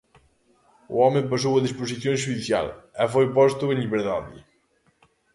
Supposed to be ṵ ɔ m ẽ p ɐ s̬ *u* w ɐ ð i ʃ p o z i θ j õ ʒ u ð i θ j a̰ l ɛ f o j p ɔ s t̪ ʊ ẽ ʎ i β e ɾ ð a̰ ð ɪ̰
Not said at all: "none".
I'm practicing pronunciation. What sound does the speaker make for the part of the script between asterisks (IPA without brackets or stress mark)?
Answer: o